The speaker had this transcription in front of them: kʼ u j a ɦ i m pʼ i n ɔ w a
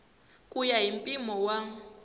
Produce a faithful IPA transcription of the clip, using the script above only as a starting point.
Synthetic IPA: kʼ u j a ɦ i m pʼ i m ɔ w a